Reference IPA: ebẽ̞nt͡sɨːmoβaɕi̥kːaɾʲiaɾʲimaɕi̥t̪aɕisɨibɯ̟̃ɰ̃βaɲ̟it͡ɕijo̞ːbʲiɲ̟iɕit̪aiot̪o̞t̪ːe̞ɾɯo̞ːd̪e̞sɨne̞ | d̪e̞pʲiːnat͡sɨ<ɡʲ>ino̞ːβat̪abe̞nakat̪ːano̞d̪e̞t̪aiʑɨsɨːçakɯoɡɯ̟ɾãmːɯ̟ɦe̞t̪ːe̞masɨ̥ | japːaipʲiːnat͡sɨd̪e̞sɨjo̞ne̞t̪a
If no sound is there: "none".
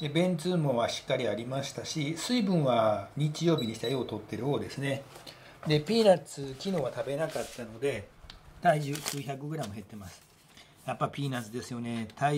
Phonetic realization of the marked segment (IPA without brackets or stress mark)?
kʲ